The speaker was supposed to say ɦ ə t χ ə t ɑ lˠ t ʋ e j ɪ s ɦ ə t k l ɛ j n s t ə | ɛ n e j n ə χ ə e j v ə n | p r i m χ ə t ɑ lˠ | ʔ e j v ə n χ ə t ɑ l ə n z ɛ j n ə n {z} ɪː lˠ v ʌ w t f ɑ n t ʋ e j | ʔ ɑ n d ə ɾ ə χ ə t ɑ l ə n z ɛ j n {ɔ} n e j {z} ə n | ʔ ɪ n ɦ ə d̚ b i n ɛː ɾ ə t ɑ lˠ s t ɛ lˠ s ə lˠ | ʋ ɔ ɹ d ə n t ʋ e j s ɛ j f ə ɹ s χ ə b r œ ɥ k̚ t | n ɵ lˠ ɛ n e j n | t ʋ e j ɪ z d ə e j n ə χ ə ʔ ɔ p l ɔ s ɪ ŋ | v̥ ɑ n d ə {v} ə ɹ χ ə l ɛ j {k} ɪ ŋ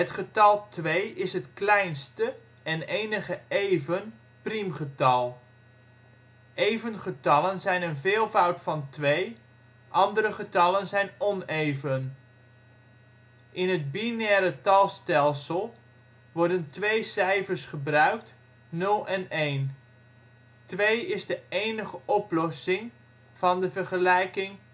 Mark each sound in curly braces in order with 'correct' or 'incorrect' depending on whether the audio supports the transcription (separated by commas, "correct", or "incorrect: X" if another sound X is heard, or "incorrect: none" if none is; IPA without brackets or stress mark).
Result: incorrect: v, correct, incorrect: v, correct, correct